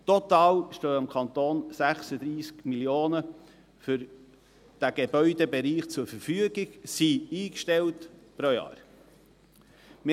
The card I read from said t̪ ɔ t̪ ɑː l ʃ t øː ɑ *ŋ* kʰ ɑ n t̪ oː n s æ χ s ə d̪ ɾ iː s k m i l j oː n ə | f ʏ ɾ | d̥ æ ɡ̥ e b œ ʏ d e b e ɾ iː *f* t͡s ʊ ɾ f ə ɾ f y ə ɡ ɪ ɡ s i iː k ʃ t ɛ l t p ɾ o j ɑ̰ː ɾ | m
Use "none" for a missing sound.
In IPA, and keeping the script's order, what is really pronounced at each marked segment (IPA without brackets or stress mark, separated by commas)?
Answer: m, χ